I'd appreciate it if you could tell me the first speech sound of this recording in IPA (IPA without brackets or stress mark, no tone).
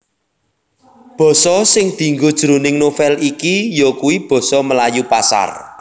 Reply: b̥